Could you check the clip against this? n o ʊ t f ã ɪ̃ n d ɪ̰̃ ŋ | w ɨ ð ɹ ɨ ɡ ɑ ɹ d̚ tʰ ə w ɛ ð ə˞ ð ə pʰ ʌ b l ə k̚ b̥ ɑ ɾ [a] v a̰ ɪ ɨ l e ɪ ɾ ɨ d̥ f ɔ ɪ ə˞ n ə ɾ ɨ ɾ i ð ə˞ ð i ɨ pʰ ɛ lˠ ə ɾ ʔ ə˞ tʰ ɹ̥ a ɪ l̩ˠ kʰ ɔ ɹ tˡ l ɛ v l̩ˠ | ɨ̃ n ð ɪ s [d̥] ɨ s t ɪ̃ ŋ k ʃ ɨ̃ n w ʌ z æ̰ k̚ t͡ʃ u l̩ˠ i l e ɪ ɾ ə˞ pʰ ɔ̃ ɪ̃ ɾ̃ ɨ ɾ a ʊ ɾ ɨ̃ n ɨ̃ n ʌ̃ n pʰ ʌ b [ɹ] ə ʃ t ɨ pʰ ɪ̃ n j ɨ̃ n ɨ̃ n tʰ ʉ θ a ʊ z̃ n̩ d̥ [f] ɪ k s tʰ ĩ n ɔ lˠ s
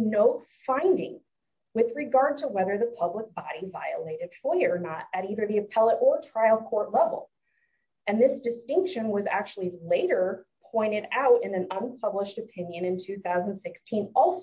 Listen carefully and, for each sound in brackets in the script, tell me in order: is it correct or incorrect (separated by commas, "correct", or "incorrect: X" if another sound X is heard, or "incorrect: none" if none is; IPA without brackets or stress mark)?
incorrect: i, correct, incorrect: l, incorrect: s